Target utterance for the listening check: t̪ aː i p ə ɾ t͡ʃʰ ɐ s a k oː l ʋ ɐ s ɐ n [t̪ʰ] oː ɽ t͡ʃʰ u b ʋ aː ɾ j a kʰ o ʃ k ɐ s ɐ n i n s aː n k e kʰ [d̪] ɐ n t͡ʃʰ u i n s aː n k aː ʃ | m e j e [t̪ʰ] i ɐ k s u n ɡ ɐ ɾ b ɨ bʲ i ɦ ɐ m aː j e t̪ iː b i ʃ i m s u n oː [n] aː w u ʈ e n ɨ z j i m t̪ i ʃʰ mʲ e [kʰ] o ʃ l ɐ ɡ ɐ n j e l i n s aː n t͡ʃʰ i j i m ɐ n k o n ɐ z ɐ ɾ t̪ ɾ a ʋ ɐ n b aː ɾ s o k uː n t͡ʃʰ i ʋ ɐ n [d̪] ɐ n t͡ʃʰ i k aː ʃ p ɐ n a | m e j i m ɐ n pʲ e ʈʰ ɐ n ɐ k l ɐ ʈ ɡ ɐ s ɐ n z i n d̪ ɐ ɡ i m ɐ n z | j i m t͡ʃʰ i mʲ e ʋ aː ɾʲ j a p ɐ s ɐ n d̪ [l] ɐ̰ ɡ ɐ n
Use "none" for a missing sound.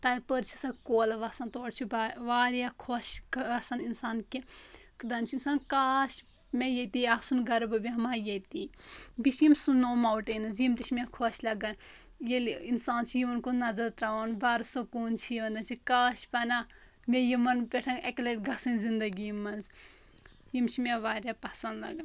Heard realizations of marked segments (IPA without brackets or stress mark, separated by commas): t̪, d̪, t̪, m, kʰ, d̪, l